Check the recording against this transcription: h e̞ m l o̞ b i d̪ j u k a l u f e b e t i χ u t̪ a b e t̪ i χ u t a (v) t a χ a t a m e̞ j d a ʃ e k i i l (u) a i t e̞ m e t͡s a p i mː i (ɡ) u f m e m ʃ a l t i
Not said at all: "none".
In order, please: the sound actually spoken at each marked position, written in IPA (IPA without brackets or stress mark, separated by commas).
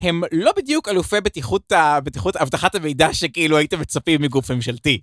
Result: v, u, ɡ